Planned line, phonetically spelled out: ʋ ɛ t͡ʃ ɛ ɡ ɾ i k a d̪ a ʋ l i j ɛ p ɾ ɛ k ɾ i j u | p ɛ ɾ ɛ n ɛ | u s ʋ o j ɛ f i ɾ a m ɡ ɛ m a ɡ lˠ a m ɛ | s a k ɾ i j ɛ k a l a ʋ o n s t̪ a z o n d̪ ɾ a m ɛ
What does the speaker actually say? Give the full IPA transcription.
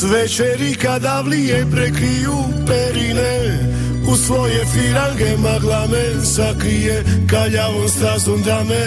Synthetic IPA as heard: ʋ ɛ t͡ʃ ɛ ɾ i k a d̪ a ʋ l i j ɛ p ɾ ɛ k ɾ i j u | p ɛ ɾ i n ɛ | u s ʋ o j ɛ f i ɾ a ŋ ɡ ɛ m a ɡ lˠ a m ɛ | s a k ɾ i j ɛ k a ʎ a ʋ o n s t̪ a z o n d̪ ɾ a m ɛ